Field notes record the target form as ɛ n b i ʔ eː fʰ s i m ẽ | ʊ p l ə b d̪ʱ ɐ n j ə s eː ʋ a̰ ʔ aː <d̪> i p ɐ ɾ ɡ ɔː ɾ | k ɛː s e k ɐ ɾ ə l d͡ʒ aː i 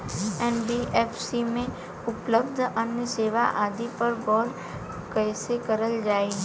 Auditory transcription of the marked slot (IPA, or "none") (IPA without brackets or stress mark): d̪